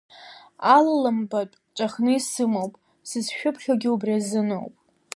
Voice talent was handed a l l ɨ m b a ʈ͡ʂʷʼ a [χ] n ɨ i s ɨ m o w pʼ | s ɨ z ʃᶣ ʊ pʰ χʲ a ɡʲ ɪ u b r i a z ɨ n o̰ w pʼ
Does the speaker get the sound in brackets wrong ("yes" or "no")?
no